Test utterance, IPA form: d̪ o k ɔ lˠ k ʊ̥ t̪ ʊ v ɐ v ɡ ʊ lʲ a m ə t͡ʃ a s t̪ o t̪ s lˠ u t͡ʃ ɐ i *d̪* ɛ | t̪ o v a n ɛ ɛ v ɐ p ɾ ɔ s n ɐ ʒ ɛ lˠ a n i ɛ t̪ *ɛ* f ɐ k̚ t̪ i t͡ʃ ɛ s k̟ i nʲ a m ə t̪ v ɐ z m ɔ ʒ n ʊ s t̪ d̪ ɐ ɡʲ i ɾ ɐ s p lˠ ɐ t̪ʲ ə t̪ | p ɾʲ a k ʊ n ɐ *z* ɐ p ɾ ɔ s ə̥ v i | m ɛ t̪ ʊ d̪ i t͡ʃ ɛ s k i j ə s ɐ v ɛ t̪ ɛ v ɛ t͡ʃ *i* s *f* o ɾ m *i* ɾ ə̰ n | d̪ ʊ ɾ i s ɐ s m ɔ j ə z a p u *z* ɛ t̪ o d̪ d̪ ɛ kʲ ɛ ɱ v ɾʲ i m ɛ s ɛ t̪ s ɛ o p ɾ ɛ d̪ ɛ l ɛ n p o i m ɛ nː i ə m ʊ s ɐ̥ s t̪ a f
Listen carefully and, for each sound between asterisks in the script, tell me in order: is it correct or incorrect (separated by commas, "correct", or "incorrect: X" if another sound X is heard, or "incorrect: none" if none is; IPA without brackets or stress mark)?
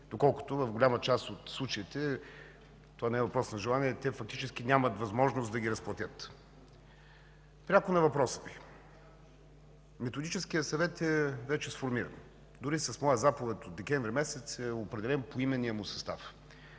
incorrect: t̪, correct, incorrect: v, incorrect: ɛ, correct, correct, incorrect: v